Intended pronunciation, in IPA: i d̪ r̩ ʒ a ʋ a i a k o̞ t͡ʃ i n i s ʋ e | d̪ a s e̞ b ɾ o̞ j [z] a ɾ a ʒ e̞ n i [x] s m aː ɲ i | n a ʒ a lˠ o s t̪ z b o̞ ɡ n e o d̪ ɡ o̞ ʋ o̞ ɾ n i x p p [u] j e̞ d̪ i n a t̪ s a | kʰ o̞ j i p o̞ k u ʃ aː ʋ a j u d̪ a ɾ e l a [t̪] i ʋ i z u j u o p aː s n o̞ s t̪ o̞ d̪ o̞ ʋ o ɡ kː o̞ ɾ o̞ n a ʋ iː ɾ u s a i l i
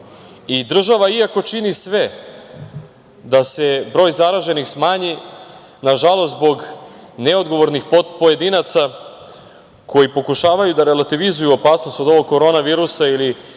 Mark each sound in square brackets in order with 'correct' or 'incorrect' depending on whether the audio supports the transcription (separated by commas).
correct, correct, incorrect, correct